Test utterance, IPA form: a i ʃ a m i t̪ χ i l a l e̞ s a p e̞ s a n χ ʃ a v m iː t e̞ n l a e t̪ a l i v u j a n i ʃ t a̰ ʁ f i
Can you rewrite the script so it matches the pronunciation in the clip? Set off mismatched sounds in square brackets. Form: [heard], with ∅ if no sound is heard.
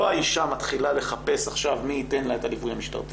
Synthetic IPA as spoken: a i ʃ a m [a] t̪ χ i l a l e̞ [χ] a p e̞ s a [∅] χ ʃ a v m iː t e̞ n l a e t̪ a l i v u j a [m] i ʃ t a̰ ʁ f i